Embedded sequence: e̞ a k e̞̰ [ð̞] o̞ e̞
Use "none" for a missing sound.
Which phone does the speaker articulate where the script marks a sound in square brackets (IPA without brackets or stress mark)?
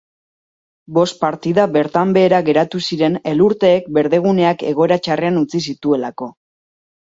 ɣ̞